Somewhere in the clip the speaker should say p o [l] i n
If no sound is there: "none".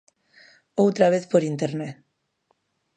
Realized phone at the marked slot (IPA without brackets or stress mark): ɾ